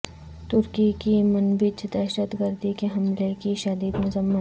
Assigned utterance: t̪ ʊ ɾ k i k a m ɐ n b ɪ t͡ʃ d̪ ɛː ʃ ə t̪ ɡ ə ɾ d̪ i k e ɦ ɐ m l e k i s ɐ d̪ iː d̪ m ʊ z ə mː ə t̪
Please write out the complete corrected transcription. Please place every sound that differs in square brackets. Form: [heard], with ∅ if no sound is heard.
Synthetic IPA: t̪ ʊ ɾ k i k [i] m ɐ n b ɪ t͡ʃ d̪ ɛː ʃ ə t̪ ɡ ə ɾ d̪ i k e ɦ ɐ m l e k i [ʃ] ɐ d̪ iː d̪ m ʊ z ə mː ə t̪